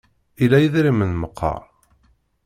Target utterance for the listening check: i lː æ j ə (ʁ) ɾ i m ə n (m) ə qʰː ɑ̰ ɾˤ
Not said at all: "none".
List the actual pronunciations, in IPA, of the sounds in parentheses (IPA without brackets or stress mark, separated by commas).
ð, m